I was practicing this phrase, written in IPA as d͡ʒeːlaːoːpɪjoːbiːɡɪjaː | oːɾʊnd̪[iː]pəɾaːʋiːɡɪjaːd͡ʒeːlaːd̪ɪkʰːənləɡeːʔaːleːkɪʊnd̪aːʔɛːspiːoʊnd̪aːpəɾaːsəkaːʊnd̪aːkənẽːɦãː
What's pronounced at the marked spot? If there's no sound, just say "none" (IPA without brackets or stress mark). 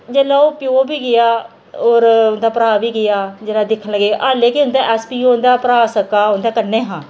aː